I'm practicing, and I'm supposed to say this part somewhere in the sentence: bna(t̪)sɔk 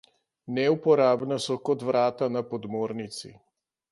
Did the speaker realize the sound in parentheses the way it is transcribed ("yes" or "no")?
no